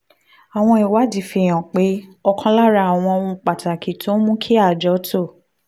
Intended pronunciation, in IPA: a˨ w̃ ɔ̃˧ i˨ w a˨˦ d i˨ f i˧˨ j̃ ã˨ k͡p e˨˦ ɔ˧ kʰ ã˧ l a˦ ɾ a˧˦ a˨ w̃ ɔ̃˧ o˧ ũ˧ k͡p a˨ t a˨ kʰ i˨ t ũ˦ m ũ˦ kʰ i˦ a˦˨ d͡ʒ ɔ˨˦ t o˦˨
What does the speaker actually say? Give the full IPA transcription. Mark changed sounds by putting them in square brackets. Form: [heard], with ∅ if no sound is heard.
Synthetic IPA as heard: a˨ w̃ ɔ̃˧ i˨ w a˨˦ d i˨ f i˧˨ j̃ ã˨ k͡p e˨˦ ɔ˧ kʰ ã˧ l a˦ ɾ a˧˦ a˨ w̃ ɔ̃˧ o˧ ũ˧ k͡p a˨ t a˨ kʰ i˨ t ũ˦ m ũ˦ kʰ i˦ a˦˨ d͡ʒ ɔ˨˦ t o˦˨